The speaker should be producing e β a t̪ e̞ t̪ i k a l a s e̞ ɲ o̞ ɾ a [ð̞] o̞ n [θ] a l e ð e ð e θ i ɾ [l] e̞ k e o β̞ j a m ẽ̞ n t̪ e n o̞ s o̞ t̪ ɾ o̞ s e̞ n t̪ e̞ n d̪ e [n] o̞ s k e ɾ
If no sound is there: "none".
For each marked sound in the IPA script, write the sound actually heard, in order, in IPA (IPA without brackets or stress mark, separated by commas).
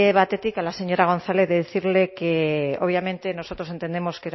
ɣ̞, θ, l, m